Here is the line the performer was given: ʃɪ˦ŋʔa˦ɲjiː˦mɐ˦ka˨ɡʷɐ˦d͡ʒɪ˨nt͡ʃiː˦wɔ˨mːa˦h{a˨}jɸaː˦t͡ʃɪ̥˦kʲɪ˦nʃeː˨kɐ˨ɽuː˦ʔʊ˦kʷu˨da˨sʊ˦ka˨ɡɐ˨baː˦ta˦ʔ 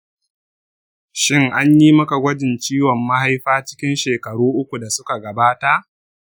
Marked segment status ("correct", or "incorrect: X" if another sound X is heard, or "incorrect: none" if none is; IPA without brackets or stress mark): incorrect: a˦